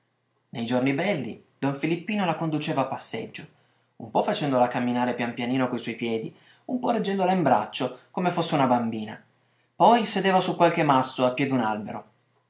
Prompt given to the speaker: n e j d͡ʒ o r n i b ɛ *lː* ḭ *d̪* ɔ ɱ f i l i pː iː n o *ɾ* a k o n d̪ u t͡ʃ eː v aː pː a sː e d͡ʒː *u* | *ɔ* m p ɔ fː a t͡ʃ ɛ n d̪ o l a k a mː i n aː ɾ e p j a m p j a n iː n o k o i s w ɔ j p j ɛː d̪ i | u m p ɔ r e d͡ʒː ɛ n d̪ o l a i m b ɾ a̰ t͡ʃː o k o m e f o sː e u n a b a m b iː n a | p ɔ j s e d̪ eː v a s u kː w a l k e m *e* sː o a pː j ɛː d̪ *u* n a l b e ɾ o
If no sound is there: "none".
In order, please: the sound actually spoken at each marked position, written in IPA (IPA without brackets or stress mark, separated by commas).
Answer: lː, d̪, l, o, u, a, u